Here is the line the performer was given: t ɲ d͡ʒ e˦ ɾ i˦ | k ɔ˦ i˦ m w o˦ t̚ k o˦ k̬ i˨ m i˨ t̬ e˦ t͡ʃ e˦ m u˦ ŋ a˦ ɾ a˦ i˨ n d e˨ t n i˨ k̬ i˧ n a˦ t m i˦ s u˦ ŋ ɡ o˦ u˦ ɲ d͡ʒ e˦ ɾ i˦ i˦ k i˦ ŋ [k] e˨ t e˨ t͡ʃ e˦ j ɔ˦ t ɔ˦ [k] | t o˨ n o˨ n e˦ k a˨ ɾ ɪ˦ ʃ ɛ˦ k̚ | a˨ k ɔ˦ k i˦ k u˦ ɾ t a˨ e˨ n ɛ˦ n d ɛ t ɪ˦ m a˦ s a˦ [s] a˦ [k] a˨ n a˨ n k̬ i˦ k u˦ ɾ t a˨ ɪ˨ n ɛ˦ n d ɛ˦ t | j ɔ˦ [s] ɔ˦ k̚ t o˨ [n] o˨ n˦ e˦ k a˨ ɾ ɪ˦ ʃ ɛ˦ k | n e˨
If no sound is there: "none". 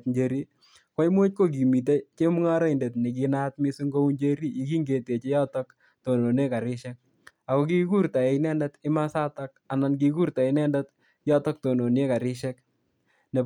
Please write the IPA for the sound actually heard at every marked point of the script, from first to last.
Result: ɡ, k, t, k, t, n

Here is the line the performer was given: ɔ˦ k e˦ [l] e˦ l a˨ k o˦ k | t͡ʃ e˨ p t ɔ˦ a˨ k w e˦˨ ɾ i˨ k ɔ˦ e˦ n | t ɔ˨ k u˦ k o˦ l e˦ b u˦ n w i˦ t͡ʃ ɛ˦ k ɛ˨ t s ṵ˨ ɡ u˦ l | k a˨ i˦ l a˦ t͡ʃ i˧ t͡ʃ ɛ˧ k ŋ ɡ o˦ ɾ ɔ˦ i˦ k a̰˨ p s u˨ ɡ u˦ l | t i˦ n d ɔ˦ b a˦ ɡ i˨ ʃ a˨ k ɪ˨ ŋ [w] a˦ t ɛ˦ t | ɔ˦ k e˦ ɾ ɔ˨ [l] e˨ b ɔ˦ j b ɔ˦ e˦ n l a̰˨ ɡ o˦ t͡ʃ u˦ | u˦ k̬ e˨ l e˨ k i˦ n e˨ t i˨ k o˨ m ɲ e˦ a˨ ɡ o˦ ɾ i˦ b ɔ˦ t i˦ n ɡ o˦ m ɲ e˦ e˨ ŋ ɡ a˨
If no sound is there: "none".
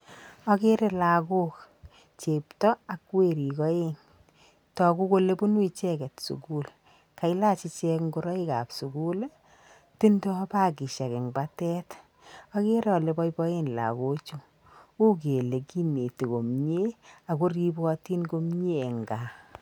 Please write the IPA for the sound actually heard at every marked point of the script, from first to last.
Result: ɾ, b, l

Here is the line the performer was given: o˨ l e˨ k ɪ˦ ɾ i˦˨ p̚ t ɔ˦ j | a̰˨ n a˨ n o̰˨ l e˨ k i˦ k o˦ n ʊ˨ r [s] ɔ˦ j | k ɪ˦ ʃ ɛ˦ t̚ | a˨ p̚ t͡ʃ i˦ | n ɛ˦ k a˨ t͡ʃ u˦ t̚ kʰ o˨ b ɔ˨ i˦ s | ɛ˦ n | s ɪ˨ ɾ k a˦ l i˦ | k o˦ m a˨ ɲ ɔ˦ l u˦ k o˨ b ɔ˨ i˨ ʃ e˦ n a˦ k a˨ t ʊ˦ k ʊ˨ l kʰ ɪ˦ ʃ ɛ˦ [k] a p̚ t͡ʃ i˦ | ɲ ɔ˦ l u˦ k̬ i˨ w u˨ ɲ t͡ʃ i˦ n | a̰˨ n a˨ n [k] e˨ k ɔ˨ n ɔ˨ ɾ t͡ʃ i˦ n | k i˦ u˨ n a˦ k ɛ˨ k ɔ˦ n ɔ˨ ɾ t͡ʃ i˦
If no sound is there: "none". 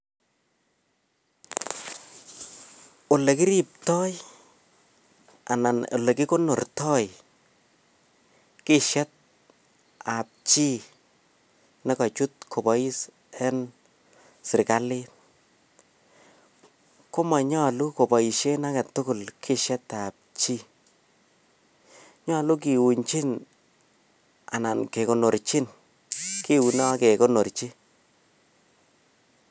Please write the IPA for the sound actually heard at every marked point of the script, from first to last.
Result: t, t, k

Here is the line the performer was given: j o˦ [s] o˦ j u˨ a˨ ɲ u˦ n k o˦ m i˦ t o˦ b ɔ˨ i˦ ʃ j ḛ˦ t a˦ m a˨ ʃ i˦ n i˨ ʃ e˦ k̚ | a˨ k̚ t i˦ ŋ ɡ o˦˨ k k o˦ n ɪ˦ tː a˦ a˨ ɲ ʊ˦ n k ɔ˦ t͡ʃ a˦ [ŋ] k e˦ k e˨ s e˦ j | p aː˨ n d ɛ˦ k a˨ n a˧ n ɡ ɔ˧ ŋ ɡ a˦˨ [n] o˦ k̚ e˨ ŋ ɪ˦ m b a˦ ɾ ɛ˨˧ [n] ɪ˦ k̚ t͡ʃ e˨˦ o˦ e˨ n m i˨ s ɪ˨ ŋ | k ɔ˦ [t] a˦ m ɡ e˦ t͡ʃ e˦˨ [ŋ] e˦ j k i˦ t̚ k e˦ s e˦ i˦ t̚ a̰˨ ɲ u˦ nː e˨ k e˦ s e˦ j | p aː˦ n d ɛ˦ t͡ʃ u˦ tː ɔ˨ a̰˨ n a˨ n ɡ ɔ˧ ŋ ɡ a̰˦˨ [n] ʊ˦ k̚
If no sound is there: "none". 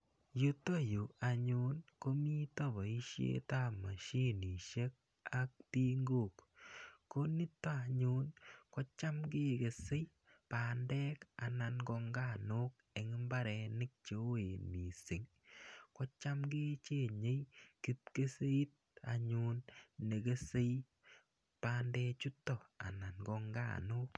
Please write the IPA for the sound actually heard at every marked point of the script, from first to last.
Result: t, m, n, n, t͡ʃ, ɲ, n

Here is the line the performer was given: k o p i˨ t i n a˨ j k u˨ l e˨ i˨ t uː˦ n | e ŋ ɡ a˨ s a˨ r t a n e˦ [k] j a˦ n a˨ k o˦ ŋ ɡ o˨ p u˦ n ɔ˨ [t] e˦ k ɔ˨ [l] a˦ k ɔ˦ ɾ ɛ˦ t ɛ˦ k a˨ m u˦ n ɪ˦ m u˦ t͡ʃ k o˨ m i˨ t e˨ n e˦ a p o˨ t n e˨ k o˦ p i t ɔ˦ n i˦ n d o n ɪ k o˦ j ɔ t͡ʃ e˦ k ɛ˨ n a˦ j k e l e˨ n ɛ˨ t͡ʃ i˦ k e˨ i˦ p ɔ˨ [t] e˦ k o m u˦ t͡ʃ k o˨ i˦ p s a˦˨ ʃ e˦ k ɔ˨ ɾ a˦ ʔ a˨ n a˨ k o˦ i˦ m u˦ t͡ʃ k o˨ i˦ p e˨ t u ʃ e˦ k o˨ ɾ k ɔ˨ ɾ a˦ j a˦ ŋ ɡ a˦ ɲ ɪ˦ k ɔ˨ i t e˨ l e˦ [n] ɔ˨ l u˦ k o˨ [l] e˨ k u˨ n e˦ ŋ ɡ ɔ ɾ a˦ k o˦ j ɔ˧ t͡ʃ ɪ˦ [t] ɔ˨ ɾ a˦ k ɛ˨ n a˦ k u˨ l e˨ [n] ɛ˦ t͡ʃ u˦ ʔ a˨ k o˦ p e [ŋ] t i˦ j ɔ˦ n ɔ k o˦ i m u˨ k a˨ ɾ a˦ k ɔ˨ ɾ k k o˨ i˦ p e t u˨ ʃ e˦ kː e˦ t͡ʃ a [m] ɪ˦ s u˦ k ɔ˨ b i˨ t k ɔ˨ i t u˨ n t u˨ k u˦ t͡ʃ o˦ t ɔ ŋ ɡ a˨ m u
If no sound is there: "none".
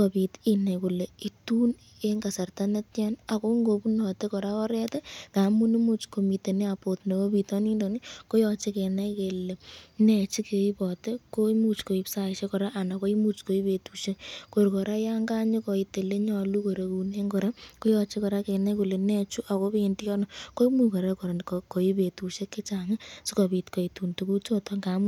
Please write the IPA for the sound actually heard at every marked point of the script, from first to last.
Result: t, t, ɾ, t, ɲ, ɾ, k, n, n, ŋ

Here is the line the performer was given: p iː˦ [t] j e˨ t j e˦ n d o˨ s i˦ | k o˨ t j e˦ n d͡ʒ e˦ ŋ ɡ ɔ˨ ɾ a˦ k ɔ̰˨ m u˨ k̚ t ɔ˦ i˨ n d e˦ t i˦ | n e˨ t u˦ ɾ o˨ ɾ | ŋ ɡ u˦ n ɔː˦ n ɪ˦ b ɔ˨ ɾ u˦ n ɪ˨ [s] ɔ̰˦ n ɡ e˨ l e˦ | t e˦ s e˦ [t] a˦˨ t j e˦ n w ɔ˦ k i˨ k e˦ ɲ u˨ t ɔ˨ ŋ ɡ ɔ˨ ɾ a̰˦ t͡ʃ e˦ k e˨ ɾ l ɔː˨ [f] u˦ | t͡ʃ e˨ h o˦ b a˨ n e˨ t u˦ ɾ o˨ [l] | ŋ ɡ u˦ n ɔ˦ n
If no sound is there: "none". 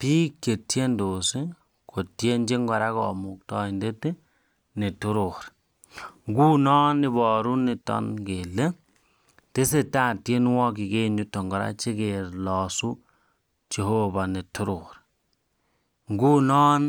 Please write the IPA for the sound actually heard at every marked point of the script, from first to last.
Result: k, t, t, s, ɾ

